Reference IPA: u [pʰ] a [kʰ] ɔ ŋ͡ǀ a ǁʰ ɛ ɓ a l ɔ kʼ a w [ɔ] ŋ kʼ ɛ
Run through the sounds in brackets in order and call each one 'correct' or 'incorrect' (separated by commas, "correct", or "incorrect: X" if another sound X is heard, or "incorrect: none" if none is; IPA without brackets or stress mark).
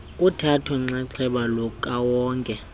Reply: incorrect: tʰ, incorrect: tʰ, incorrect: ɔː